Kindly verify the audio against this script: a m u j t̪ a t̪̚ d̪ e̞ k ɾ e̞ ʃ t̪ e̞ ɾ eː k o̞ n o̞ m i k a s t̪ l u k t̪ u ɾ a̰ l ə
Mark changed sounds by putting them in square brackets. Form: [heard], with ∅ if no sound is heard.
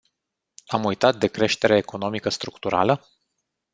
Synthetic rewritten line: a m u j t̪ a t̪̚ d̪ e̞ k ɾ e̞ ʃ t̪ e̞ ɾ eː k o̞ n o̞ m i k [ə] s t̪ [ɾ] u k t̪ u ɾ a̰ l ə